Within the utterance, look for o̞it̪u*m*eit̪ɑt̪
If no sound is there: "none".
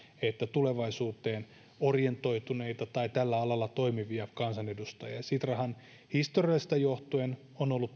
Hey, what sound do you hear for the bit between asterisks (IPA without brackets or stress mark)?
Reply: n